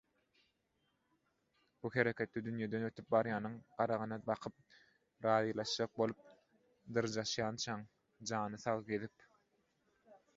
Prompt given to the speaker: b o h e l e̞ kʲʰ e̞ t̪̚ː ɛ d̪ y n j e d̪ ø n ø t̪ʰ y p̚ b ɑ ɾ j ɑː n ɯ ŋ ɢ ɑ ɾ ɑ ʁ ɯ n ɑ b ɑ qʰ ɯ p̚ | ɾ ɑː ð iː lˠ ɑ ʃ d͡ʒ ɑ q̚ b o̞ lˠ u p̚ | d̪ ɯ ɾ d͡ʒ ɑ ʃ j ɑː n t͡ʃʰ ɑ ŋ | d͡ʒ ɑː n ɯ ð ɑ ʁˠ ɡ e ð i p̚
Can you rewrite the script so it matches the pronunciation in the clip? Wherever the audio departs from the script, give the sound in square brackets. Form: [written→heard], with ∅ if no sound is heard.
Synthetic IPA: b [o→u] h e [l→ɾ] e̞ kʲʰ e̞ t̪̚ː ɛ d̪ y n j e d̪ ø n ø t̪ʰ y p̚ b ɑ ɾ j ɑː n ɯ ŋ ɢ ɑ ɾ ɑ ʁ ɯ n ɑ b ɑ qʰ ɯ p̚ | ɾ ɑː ð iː lˠ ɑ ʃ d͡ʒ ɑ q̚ b o̞ lˠ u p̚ | d̪ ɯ ɾ d͡ʒ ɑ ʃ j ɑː n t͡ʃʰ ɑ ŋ | d͡ʒ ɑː n ɯ [ð→θ] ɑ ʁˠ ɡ e ð i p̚